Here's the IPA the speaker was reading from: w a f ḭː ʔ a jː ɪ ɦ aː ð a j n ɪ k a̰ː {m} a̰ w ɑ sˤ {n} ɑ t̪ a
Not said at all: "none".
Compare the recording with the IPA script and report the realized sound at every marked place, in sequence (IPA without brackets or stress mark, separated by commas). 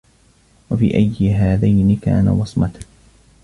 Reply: n, m